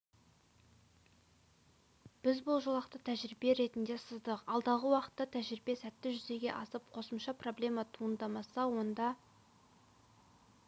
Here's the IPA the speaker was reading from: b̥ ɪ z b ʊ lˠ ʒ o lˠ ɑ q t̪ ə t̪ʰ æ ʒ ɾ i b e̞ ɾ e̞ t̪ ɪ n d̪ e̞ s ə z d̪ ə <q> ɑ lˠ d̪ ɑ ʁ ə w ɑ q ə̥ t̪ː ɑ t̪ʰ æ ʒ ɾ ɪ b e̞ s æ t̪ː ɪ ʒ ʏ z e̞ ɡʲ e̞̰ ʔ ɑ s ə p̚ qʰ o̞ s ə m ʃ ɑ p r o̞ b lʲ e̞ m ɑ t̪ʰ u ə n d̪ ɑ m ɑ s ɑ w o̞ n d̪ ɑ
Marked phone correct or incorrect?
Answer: correct